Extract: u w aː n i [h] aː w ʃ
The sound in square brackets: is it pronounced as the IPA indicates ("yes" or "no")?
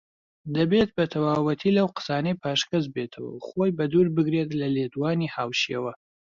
yes